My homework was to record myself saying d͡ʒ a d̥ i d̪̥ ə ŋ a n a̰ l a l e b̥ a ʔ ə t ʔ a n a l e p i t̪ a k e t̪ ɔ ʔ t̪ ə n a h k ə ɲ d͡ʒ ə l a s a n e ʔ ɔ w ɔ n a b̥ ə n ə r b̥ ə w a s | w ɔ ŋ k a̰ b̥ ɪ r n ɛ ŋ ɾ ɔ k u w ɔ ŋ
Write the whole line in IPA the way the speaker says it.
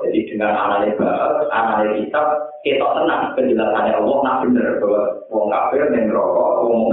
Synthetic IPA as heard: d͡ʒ a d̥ i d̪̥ ə ŋ a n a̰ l a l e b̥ a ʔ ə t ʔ a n a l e k i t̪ a k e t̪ ɔ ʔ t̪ ə n a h k ə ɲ d͡ʒ ə l a s a n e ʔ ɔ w ɔ n a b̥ ə n ə r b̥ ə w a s | w ɔ ŋ k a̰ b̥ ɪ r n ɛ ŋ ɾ ɔ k ɔ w ɔ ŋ